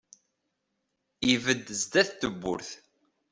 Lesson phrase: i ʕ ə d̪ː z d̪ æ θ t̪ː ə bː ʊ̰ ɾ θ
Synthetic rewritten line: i v ə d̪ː z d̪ æ θ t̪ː ə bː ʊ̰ ɾ θ